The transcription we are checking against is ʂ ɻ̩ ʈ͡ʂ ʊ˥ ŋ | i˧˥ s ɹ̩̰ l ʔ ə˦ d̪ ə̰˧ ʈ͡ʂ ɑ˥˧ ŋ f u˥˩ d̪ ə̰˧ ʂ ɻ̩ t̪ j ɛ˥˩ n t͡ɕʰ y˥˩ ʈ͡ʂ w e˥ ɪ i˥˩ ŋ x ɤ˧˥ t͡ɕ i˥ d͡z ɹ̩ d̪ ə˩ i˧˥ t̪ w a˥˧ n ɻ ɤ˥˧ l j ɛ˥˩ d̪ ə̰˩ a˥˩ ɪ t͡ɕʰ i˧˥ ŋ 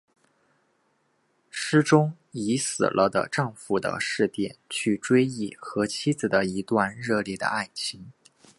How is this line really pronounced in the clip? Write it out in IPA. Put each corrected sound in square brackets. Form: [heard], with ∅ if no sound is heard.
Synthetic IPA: ʂ ɻ̩ ʈ͡ʂ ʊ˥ ŋ | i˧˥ s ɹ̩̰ l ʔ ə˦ d̪ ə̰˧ ʈ͡ʂ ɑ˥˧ ŋ f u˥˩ d̪ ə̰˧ ʂ ɻ̩ t̪ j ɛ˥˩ n t͡ɕʰ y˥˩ ʈ͡ʂ w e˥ ɪ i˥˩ [∅] x ɤ˧˥ [t͡ɕʰ] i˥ d͡z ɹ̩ d̪ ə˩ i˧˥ t̪ w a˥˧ n ɻ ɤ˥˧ l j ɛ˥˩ d̪ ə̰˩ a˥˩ ɪ t͡ɕʰ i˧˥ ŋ